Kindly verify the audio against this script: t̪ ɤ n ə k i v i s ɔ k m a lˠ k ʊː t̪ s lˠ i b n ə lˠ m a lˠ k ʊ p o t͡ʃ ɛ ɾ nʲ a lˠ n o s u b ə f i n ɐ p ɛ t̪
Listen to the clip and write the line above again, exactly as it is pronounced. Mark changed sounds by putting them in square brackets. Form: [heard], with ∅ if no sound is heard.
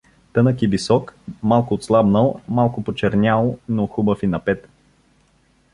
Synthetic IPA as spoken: t̪ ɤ n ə k i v i s ɔ k m a lˠ k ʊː t̪ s lˠ [a] b n ə lˠ m a lˠ k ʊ p o t͡ʃ ɛ ɾ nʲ a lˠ n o [x] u b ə f i n ɐ p ɛ t̪